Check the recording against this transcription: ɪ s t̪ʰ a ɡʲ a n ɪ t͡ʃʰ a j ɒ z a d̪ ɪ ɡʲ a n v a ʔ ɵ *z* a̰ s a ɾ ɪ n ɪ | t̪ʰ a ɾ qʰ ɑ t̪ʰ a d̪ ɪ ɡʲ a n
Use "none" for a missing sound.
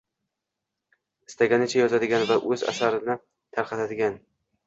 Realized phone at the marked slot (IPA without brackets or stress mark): z